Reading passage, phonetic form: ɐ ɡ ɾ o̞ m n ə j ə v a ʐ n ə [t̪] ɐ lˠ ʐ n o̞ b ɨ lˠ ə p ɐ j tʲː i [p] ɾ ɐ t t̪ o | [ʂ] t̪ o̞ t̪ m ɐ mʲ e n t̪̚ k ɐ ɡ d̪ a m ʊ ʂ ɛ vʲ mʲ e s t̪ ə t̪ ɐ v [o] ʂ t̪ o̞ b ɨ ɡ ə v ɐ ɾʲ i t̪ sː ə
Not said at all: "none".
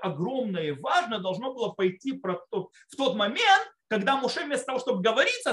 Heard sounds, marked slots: d̪, p, f, o

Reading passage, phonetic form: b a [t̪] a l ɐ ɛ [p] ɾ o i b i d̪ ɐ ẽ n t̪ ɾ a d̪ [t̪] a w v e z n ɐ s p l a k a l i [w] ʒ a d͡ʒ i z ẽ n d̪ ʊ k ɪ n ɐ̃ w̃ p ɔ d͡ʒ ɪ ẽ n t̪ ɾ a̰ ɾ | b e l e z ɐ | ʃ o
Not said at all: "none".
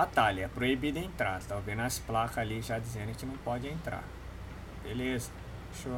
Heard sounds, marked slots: t̪, p, t̪, none

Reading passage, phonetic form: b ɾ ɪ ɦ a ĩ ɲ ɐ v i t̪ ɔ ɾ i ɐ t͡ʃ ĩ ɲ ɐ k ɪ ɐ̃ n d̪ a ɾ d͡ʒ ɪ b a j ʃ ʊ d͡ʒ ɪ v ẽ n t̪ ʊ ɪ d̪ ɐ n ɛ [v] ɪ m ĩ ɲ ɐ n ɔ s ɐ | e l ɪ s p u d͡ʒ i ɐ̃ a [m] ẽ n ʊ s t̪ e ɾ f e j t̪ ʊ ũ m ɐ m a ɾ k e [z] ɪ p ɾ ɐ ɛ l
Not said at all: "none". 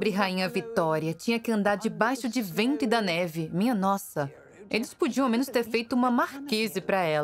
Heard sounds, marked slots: v, m, z

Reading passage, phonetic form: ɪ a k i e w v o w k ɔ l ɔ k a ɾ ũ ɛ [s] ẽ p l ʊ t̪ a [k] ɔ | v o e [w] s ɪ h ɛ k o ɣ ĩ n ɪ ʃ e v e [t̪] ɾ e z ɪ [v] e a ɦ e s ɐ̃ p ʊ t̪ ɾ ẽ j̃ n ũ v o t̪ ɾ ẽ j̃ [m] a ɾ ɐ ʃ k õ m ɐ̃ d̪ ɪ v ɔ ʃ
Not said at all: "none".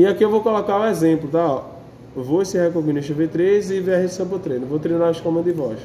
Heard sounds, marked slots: z, none, none, t̪, v, n

